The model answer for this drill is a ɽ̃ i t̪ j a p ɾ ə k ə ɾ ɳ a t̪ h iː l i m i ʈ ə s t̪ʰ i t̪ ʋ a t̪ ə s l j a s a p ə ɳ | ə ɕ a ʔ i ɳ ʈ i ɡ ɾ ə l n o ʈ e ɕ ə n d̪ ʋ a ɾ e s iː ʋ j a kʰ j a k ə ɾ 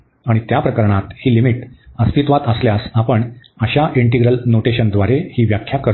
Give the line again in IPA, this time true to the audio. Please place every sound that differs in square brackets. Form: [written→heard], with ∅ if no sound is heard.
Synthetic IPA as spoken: a ɽ̃ i t̪ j a p ɾ ə k ə ɾ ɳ a t̪ h iː l i m i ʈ ə s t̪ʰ i t̪ ʋ a t̪ ə s l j a s a p ə ɳ | ə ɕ a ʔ i ɳ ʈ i ɡ ɾ ə l n o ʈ e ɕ ə n d̪ ʋ a ɾ e [s→h] iː ʋ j a kʰ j a k ə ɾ